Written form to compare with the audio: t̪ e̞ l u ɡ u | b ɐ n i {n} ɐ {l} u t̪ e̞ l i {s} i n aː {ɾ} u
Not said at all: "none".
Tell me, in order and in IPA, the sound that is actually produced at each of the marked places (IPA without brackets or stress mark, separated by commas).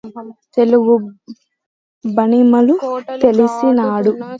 m, l, s, ɽ